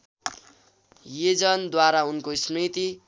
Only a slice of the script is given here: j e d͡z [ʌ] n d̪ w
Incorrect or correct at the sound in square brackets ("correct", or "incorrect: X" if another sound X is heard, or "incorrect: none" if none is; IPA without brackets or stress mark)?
correct